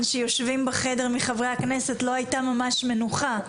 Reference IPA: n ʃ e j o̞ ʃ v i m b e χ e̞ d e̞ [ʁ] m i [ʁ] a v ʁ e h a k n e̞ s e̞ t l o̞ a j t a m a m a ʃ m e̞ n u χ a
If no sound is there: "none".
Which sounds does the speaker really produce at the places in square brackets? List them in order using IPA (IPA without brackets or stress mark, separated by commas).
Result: ʁ, χ